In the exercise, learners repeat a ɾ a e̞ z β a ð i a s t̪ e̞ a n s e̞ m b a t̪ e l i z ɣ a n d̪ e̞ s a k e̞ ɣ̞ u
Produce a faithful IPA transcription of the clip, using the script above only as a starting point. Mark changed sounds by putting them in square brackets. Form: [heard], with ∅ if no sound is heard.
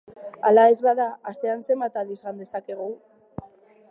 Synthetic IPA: a [l] a e̞ z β a ð [a] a s t̪ e̞ a n s e̞ m b a t̪ [a] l i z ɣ a n d̪ e̞ s a k e̞ ɣ̞ u